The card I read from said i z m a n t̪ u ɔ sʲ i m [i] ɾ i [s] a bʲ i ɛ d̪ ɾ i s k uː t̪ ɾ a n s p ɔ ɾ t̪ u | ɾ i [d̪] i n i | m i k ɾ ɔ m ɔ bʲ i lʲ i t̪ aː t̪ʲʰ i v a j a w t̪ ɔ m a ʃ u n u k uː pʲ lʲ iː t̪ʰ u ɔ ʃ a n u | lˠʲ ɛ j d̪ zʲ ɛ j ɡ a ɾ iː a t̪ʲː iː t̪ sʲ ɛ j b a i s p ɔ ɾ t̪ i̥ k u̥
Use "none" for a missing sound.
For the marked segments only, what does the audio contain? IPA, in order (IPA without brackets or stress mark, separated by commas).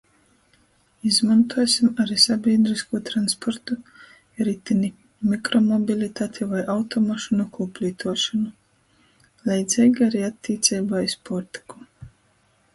a, s, t̪